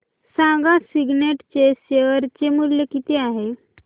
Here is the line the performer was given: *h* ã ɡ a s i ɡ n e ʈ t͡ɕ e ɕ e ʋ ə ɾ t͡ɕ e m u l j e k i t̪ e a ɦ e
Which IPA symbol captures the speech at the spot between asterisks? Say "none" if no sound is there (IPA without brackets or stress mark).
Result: s